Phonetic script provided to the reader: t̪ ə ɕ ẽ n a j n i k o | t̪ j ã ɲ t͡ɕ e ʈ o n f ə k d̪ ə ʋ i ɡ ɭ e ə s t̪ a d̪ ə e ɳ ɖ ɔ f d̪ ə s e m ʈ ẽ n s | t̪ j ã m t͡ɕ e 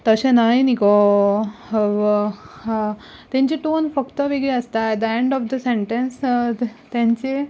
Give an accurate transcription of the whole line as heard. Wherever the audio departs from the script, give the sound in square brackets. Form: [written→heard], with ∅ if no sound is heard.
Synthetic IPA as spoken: t̪ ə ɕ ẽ n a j n i k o | t̪ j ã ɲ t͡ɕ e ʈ o n f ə k [d̪→t̪] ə ʋ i ɡ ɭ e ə s t̪ a d̪ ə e ɳ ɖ ɔ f d̪ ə s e [m→ɳ] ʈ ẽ n s | t̪ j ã [m→ɲ] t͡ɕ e